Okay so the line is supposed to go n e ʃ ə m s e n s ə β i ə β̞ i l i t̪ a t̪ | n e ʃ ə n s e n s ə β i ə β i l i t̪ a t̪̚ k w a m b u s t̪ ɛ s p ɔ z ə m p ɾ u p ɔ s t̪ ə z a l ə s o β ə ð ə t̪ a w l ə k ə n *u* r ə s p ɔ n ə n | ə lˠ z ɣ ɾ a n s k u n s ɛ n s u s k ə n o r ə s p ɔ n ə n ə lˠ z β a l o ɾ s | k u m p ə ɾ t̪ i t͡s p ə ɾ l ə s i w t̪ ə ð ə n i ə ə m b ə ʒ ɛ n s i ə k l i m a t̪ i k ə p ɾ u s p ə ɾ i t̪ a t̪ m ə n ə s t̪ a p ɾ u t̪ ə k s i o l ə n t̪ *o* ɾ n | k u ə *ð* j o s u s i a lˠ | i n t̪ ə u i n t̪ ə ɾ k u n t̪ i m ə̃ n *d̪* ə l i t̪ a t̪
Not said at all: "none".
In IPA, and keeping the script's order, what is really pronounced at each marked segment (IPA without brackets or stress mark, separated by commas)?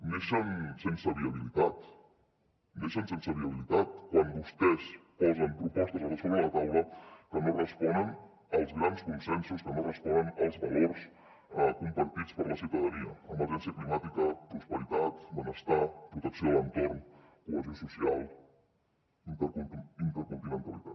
o, o, z, t̪